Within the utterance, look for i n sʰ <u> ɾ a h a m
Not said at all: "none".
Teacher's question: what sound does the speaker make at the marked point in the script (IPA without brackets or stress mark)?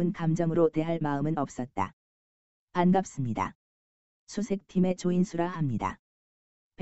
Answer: u